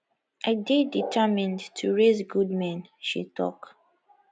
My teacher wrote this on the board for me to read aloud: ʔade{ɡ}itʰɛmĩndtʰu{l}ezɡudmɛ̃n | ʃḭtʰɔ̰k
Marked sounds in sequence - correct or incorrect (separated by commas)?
incorrect, incorrect